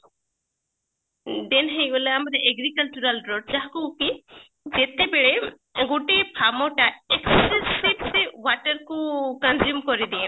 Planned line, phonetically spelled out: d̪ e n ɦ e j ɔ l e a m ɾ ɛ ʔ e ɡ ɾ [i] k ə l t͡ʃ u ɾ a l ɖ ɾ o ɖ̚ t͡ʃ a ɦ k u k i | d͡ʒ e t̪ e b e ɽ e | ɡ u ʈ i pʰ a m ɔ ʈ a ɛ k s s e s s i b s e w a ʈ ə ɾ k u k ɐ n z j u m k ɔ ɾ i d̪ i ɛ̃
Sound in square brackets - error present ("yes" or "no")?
no